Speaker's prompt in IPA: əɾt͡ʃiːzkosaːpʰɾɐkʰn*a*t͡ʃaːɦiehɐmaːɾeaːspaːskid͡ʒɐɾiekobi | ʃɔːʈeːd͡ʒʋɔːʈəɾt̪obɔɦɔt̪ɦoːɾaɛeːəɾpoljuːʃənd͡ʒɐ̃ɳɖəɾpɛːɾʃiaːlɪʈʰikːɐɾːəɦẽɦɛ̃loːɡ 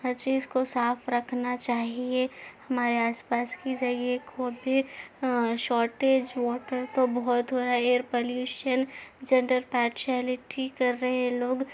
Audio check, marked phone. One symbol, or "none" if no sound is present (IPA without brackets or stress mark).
a